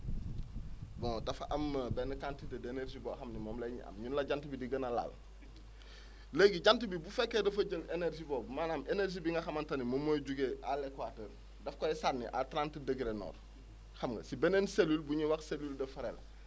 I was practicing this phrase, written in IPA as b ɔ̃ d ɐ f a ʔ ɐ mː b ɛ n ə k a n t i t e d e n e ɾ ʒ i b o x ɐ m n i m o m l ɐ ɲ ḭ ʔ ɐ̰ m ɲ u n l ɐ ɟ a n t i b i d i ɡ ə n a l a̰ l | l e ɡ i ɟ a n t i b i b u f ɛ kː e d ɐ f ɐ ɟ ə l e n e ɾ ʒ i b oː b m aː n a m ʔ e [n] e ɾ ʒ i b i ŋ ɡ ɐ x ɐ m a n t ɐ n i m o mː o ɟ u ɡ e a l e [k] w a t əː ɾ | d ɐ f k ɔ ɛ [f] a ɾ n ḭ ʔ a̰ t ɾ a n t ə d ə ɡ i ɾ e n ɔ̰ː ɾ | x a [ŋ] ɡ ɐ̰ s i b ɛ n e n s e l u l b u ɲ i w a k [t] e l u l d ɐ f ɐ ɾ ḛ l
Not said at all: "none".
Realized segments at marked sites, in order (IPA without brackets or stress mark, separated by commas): n, k, s, m, s